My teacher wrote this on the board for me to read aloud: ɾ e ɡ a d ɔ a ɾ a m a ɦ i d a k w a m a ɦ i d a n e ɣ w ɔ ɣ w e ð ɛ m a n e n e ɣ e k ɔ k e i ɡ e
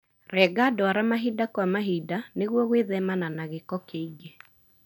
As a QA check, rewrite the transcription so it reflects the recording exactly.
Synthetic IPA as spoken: ɾ ɛ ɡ a d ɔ a ɾ a m a ɦ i d a k w a m a ɦ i d a n e ɣ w ɔ ɣ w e ð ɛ m a n a n a ɣ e k ɔ k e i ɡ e